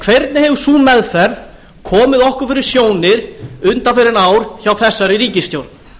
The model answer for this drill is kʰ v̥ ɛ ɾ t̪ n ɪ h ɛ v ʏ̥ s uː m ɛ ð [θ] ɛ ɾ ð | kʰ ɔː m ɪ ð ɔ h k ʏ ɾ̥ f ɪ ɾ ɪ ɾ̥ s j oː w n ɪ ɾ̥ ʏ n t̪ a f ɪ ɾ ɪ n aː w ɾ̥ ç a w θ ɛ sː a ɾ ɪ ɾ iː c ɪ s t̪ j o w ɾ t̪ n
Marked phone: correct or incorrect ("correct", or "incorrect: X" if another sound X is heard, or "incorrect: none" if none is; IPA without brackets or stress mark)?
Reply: incorrect: f